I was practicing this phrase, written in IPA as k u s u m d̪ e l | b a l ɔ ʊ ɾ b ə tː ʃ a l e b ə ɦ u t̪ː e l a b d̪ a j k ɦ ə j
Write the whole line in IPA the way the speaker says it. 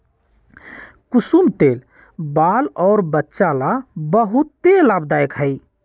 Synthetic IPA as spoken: k u s u m t̪ e l | b a l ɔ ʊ ɾ b ə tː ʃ a l a b ə ɦ u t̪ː e l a b d̪ a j k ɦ ə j